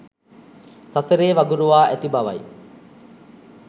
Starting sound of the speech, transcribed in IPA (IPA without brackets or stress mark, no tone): s